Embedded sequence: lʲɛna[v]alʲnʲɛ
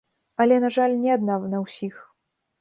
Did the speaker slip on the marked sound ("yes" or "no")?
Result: yes